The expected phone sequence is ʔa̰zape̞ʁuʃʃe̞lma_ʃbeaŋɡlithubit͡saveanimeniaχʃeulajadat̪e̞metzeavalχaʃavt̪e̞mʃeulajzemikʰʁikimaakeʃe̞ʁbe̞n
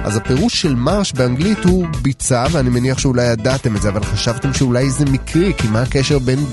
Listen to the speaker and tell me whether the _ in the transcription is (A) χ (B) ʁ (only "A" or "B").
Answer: B